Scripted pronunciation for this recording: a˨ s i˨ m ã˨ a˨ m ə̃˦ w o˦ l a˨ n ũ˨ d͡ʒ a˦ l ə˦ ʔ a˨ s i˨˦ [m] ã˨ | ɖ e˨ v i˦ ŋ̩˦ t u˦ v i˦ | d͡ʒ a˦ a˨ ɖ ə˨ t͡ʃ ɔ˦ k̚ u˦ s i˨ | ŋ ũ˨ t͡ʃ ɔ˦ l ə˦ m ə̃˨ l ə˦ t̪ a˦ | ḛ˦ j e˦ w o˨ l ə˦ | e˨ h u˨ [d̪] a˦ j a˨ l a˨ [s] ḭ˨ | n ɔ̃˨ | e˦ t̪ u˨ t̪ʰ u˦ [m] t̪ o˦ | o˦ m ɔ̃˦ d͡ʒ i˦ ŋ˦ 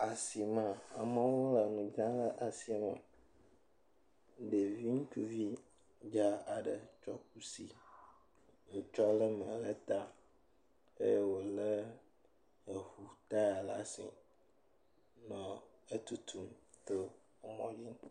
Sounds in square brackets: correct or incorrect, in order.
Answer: correct, incorrect: t̪, correct, correct

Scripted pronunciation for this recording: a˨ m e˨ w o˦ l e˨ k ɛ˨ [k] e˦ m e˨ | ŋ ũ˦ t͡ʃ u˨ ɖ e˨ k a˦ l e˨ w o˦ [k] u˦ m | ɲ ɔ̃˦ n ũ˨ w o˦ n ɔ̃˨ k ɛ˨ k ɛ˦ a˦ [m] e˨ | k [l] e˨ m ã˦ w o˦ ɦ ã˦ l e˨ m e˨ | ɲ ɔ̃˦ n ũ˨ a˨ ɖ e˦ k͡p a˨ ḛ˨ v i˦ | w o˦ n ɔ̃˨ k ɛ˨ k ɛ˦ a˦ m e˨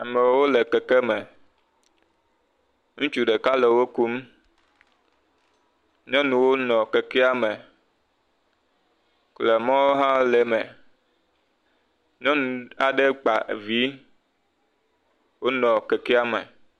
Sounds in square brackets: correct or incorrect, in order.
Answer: correct, correct, correct, correct

